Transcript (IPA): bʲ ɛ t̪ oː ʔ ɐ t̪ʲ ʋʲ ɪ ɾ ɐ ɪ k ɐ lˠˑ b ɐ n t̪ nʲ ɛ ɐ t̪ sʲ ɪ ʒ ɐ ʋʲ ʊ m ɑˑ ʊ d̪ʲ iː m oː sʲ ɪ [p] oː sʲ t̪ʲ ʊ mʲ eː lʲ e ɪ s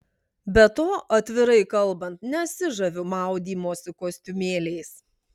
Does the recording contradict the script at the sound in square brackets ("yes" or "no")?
yes